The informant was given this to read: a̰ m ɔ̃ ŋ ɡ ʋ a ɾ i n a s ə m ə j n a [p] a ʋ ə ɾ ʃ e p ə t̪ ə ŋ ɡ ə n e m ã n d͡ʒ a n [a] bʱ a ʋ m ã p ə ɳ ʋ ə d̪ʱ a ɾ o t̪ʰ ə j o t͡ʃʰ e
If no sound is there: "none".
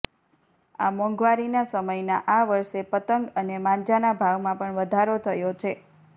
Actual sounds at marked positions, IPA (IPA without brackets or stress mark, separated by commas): ʔ, a